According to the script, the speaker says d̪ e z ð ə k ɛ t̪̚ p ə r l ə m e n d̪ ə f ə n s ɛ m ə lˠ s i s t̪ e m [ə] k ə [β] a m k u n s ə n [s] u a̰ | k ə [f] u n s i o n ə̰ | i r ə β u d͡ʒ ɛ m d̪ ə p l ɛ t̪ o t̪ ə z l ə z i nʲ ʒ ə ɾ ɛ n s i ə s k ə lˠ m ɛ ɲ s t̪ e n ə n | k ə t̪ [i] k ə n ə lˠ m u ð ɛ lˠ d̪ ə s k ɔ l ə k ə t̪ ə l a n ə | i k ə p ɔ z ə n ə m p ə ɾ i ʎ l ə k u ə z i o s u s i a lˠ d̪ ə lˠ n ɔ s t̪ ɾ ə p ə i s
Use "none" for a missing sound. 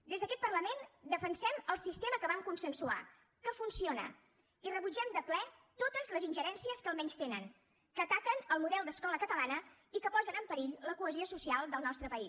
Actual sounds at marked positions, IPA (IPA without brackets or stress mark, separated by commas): ə, β, s, f, a